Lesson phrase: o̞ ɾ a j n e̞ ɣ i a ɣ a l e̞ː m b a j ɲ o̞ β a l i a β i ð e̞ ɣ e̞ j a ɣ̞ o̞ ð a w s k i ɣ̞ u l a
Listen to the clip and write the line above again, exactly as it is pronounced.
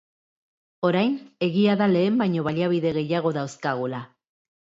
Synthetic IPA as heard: o̞ ɾ a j n e̞ ɣ i a ð a l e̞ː m b a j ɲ o̞ β a l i a β i ð e̞ ɣ e̞ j a ɣ̞ o̞ ð a w s k a ɣ̞ u l a

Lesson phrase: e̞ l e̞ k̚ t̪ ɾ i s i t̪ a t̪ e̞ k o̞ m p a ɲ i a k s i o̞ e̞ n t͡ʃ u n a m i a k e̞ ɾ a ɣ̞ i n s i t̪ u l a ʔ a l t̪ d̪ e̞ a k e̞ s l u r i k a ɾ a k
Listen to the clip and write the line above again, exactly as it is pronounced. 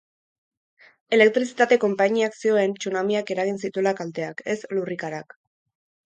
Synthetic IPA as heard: e̞ l e̞ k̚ t̪ ɾ i s i t̪ a t̪ e̞ k o̞ m p a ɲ i a k s i o̞ e̞ n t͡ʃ u n a m i a k e̞ ɾ a ɣ̞ i n s i t̪ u l a k a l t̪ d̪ e̞ a k e̞ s l u r i k a ɾ a k

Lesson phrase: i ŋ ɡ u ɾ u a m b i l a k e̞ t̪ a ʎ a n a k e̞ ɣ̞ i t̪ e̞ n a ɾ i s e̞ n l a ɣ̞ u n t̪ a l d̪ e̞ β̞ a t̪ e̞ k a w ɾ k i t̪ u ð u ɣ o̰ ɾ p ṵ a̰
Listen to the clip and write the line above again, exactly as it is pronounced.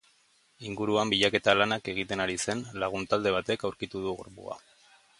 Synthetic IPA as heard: i ŋ ɡ u ɾ u a m b i ʎ a k e̞ t̪ a l a n a k e̞ ɣ̞ i t̪ e̞ n a ɾ i s e̞ n l a ɣ̞ u n t̪ a l d̪ e̞ β̞ a t̪ e̞ k a w ɾ k i t̪ u ð u ɣ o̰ ɾ p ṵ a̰

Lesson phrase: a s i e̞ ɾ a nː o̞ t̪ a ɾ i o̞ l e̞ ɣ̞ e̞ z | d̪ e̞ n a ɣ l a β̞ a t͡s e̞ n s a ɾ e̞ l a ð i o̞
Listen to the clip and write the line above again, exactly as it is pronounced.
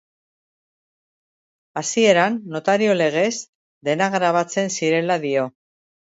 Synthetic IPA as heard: a s i e̞ ɾ a nː o̞ t̪ a ɾ i o̞ l e̞ ɣ̞ e̞ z | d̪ e̞ n a ɣ ɾ a β̞ a t͡s e̞ n s i ɾ e̞ l a ð i o̞

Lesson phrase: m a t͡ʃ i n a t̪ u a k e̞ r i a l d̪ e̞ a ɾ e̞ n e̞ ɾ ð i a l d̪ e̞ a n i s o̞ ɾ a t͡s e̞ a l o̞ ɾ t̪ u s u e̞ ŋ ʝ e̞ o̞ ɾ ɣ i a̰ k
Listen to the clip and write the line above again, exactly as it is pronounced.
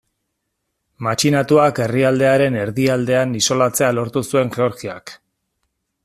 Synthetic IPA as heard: m a t͡ʃ i n a t̪ u a k e̞ r i a l d̪ e̞ a ɾ e̞ n e̞ ɾ ð i a l d̪ e̞ a n i s o̞ l a t͡s e̞ a l o̞ ɾ t̪ u s u e̞ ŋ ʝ e̞ o̞ ɾ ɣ i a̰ k

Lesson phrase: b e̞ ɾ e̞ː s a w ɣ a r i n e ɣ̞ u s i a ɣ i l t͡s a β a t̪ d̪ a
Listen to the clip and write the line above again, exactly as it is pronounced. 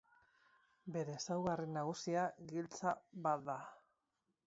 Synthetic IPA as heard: b e̞ ɾ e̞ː s a w ɣ a r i n a ɣ̞ u s i a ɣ i l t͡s a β a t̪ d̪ a

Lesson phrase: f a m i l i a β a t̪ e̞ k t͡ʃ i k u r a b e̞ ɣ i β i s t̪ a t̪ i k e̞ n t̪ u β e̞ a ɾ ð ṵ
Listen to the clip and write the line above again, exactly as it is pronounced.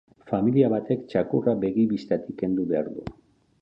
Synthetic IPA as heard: f a m i l i a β a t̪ e̞ k t͡ʃ a k u r a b e̞ ɣ i β i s t̪ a t̪ i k e̞ n d̪ u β e̞ a ɾ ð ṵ

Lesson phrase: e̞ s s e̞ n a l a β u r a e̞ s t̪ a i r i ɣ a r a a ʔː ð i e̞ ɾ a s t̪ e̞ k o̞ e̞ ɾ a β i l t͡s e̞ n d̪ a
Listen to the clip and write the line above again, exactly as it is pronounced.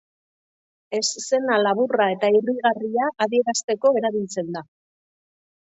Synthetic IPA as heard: e̞ s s e̞ n a l a β u r a e̞ t̪ a i r i ɣ a r i a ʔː ð i e̞ ɾ a s t̪ e̞ k o̞ e̞ ɾ a β i l t͡s e̞ n d̪ a

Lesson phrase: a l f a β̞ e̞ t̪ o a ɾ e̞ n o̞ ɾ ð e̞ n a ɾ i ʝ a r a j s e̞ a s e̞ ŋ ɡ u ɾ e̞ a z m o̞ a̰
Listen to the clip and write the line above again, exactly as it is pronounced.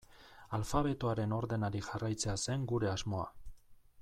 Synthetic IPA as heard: a l f a β̞ e̞ t̪ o a ɾ e̞ n o̞ ɾ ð e̞ n a ɾ i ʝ a r a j t͡s e̞ a s e̞ ŋ ɡ u ɾ e̞ a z m o̞ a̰

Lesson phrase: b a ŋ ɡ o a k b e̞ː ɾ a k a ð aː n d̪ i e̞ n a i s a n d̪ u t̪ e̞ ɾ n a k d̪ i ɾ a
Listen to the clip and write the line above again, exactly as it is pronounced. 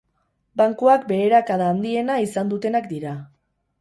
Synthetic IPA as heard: b a ŋ k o a k b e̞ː ɾ a k a ð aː n d̪ i e̞ n a i s a n d̪ u t̪ e̞ n a k d̪ i ɾ a

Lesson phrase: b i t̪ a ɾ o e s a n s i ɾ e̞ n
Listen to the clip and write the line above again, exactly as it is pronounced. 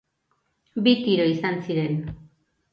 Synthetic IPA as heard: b i t̪ i ɾ o i s a n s i ɾ e̞ n

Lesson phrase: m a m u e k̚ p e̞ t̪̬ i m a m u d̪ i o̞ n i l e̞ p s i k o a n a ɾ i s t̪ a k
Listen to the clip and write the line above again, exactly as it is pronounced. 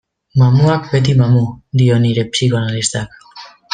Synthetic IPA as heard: m a m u a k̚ b e̞ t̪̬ i m a m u d̪ i o̞ n i ɾ e̞ p s i k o a n a l i s t̪ a k

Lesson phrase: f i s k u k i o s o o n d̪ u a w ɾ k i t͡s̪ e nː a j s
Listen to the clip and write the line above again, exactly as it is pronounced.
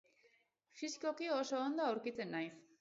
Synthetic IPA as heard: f i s k o k i o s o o n d̪ o a w ɾ k i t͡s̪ e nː a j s

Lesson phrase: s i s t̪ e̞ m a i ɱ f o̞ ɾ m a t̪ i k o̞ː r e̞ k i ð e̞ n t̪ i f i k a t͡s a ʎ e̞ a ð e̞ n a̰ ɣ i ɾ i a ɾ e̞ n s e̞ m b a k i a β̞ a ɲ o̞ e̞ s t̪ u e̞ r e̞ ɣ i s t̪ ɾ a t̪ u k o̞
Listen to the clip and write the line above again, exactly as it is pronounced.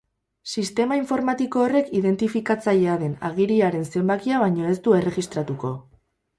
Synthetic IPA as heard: s i s t̪ e̞ m a i ɱ f o̞ ɾ m a t̪ i k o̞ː r e̞ k i ð e̞ n t̪ i f i k a t͡s a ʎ e̞ a ð e̞ n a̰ ɣ i ɾ i a ɾ e̞ n s e̞ m b a k i a β̞ a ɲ o̞ e̞ s t̪ u e̞ r e̞ ɣ i s t̪ ɾ a t̪ u k o̞

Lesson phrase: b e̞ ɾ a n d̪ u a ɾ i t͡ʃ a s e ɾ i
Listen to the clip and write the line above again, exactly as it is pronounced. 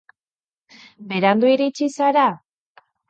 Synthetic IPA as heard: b e̞ ɾ a n d̪ u i ɾ i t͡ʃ i s a ɾ a

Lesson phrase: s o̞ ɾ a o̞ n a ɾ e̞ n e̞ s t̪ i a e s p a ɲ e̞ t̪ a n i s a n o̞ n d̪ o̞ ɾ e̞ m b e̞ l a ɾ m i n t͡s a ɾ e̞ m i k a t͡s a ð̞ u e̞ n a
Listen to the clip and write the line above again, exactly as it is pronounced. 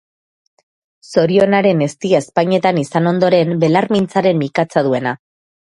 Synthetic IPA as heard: s o̞ ɾ i o̞ n a ɾ e̞ n e̞ s t̪ i a e s p a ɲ e̞ t̪ a n i s a n o̞ n d̪ o̞ ɾ e̞ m b e̞ l a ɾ m i n t͡s a ɾ e̞ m i k a t͡s a ð̞ u e̞ n a

